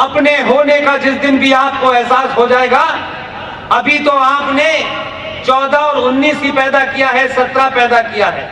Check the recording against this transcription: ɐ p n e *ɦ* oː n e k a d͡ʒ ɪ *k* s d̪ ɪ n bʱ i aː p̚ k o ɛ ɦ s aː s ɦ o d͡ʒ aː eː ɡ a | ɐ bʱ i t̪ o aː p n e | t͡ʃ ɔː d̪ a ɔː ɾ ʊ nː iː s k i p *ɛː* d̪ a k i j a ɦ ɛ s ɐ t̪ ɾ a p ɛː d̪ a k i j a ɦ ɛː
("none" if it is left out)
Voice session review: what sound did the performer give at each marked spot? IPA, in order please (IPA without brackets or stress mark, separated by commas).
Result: ɦ, none, ɛː